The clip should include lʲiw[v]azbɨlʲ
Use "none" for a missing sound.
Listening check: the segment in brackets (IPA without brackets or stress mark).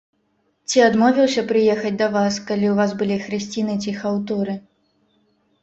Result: v